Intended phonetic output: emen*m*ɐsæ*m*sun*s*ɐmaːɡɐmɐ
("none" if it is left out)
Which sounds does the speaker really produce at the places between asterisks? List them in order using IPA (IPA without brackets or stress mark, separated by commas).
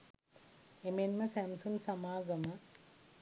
m, m, s